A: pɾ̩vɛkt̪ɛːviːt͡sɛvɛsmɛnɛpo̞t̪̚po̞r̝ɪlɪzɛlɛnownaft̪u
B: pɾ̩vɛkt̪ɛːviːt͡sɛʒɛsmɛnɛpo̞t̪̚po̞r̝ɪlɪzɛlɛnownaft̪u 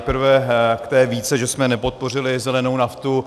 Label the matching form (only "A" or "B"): B